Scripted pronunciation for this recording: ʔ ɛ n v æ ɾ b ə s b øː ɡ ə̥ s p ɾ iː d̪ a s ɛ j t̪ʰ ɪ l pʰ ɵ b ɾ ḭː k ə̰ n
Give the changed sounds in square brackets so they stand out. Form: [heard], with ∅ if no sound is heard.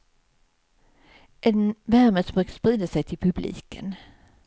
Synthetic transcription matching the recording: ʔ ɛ n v æ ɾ [m] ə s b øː [k] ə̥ s p ɾ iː d̪ a s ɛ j t̪ʰ ɪ l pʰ ɵ b [l] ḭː k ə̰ n